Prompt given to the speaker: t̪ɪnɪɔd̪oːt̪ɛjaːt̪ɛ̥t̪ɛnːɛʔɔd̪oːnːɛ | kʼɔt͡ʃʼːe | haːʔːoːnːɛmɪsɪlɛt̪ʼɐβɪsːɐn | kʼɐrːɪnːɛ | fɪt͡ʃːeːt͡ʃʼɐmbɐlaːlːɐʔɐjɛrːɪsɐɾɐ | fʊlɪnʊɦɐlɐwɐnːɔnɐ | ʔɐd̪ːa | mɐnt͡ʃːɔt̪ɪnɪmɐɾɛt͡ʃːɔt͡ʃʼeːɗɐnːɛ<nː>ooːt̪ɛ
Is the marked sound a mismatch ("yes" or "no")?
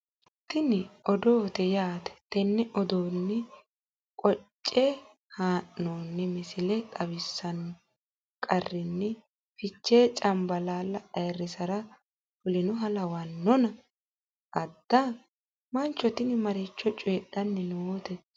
yes